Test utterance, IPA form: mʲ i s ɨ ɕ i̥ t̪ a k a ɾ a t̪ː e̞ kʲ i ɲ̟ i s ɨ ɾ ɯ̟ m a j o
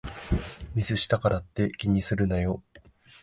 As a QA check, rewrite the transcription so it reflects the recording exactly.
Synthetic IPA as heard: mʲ i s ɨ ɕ i̥ t̪ a k a ɾ a t̪ː e̞ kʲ i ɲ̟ i s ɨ ɾ ɯ̟ n a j o

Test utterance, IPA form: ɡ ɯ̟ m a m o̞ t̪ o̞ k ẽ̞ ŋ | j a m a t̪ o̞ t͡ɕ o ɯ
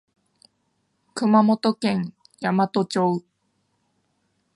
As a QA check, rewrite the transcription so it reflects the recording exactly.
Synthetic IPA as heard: k ɯ̟ m a m o̞ t̪ o̞ k ẽ̞ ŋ | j a m a t̪ o̞ t͡ɕ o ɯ

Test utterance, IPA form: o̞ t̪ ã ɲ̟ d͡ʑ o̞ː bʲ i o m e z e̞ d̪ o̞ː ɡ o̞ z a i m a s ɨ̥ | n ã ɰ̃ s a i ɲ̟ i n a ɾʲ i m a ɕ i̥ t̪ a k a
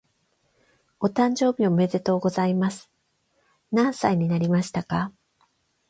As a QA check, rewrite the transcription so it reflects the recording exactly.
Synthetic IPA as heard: o̞ t̪ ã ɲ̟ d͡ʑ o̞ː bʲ i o m e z e̞ t̪ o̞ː ɡ o̞ z a i m a s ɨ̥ | n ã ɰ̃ s a i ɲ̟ i n a ɾʲ i m a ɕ i̥ t̪ a k a

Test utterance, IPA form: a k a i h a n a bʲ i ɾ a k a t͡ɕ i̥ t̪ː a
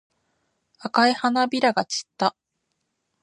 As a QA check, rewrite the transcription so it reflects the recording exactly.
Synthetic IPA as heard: a k a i h a n a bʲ i ɾ a ɡ a t͡ɕ i̥ t̪ː a

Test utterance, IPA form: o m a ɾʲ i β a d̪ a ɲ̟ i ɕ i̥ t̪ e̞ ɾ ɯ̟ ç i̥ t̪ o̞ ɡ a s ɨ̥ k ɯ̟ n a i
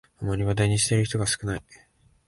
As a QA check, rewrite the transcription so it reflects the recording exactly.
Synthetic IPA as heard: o m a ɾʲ i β a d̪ a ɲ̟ i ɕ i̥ t̪ e̞ ɾ ɯ̟ ç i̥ t̪ o̞ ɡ a s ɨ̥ k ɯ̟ n a i

